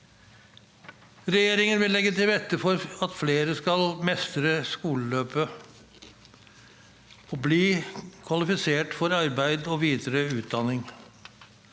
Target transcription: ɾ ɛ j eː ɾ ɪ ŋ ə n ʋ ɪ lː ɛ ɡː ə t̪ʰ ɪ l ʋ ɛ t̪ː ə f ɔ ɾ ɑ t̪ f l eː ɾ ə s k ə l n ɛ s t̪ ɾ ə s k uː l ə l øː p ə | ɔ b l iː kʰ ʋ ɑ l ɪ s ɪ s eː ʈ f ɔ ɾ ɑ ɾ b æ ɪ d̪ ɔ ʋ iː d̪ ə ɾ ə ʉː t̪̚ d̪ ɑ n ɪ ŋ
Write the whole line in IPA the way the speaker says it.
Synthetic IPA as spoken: ɾ ɛ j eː ɾ ɪ ŋ ə n ʋ ɪ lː ɛ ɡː ə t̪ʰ ɪ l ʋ ɛ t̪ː ə f ɔ ɾ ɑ t̪ f l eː ɾ ə s k ɑ l m ɛ s t̪ ɾ ə s k uː l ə l øː p ə | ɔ b l iː kʰ ʋ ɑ l ɪ f ɪ s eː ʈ f ɔ ɾ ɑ ɾ b æ ɪ d̪ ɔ ʋ iː d̪ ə ɾ ə ʉː t̪̚ d̪ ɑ n ɪ ŋ

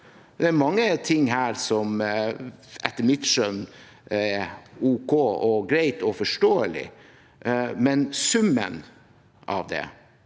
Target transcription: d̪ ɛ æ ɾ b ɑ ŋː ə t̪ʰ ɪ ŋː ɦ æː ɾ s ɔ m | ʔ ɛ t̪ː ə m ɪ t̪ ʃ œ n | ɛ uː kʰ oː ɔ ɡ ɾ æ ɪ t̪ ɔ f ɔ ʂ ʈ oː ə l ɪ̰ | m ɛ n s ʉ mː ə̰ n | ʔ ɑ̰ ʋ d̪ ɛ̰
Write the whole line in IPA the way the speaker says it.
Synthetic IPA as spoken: d̪ ɛ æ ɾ m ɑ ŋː ə t̪ʰ ɪ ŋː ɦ æː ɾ s ɔ m | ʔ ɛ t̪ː ə m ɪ t̪ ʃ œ n | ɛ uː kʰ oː ɔ ɡ ɾ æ ɪ t̪ ɔ f ɔ ʂ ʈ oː ə l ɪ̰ | m ɛ n s ʉ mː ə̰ n | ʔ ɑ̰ ʋ d̪ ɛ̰

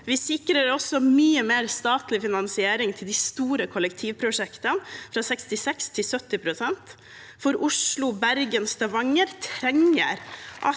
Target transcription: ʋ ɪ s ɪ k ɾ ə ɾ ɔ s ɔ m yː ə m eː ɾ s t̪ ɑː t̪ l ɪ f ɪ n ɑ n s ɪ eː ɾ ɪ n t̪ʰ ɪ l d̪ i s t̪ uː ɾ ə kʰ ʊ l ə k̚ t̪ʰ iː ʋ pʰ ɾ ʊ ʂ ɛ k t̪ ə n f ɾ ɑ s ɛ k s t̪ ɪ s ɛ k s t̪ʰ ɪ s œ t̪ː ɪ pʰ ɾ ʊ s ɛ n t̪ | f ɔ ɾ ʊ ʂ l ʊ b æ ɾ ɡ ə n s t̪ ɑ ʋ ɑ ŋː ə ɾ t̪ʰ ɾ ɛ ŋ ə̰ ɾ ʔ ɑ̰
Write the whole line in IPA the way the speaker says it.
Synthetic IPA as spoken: ʋ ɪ s ɪ k ɾ ə ɾ ɔ s ɔ m yː ə m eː ɾ s t̪ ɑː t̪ l ɪ f ɪ n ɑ n s ɪ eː ɾ ɪ ŋ t̪ʰ ɪ l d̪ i s t̪ uː ɾ ə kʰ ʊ l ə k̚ t̪ʰ iː ʋ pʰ ɾ ʊ ʂ ɛ k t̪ ə n f ɾ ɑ s ɛ k s t̪ ɪ s ɛ k s t̪ʰ ɪ s œ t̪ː ɪ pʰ ɾ ʊ s ɛ n t̪ | f ɔ ɾ ʊ ʂ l ʊ b æ ɾ ɡ ə n s t̪ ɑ ʋ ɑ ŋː ə ɾ t̪ʰ ɾ ɛ ŋ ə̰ ɾ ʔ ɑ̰

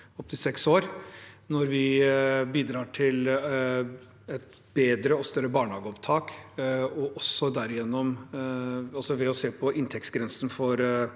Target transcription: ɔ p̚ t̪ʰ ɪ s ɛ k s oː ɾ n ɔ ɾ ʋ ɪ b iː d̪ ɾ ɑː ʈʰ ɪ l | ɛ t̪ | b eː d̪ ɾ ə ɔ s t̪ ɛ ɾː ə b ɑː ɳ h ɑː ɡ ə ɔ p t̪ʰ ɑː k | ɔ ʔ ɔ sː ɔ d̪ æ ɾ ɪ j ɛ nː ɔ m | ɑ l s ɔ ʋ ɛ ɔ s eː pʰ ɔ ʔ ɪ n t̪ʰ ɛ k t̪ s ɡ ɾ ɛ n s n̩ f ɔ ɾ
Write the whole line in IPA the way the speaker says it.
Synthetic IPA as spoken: ɔ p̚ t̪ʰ ɪ s ɛ k s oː ɾ n ɔ ɾ ʋ ɪ b iː d̪ ɾ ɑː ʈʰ ɪ l | ɛ t̪ | b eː d̪ ɾ ə ɔ s t̪ œ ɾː ə b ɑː ɳ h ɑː ɡ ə ɔ p t̪ʰ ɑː k | ɔ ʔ ɔ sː ɔ d̪ æ ɾ ɪ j ɛ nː ɔ m | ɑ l s ɔ ʋ ɛ ɔ s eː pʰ ɔ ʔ ɪ n t̪ʰ ɛ k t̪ s ɡ ɾ ɛ n s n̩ f ɔ ɾ

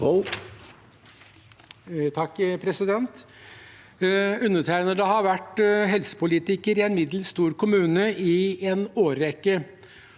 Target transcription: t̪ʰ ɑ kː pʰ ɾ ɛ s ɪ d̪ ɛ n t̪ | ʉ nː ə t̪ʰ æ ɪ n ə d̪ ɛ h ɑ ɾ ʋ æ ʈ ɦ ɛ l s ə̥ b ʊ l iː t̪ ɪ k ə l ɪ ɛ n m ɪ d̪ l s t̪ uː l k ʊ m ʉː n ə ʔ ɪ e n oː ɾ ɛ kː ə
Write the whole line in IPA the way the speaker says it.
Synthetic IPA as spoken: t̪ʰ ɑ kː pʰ ɾ ɛ s ɪ d̪ ɛ n t̪ | ʉ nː ə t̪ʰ æ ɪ n ə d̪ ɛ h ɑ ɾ ʋ æ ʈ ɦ ɛ l s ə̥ p ʊ l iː t̪ ɪ k ə ɾ ɪ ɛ n m ɪ d̪ l s t̪ uː ɾ k ʊ m ʉː n ə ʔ ɪ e n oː ɾ ɛ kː ə

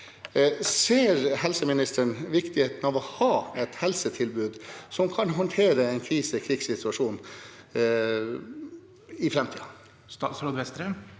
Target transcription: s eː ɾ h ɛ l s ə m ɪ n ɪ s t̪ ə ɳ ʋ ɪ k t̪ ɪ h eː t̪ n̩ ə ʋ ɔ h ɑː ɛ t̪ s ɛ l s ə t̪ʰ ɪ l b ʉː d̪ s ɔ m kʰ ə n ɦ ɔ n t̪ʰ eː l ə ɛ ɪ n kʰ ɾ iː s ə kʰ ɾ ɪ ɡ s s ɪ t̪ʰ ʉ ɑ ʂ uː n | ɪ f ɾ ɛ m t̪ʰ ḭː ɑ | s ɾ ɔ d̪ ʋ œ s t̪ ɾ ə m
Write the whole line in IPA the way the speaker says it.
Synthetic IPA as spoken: s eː ɾ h ɛ l s ə m ɪ n ɪ s t̪ ə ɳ ʋ ɪ k t̪ ɪ h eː t̪ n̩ ɑ ʋ ɔ h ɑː ɛ t̪ h ɛ l s ə t̪ʰ ɪ l b ʉː d̪ s ɔ m kʰ ɑ n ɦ ɔ n t̪ʰ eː ɾ ə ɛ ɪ n kʰ ɾ iː s ə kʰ ɾ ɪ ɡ s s ɪ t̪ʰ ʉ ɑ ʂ uː n | ɪ f ɾ ɛ m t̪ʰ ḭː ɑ | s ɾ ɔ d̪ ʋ ɛ s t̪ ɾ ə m

